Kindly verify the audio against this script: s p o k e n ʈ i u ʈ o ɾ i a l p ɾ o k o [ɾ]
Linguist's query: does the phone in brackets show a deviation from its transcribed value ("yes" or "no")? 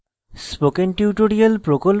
yes